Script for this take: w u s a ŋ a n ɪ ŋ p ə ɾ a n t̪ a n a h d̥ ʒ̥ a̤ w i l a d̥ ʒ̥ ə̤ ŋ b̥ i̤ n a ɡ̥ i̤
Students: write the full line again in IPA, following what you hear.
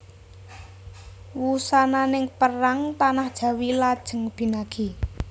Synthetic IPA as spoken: w u s a n a n ɪ ŋ p ə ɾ a ŋ t̪ a n a h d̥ ʒ̥ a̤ w i l a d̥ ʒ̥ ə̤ ŋ b̥ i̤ n a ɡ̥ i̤